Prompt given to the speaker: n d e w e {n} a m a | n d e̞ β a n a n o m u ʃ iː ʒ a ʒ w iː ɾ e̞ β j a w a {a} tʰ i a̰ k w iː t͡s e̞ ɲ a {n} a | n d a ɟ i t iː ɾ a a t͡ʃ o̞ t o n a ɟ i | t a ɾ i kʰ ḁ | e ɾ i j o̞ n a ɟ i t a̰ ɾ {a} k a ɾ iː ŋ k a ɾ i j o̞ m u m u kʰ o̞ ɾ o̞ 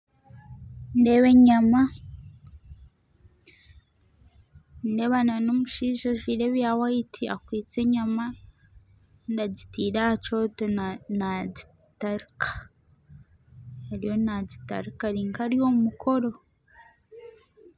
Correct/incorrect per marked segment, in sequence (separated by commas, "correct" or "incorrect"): incorrect, incorrect, incorrect, incorrect